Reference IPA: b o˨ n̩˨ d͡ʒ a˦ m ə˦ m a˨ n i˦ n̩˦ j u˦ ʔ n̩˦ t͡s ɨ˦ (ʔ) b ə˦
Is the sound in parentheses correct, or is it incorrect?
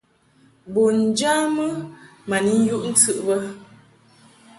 correct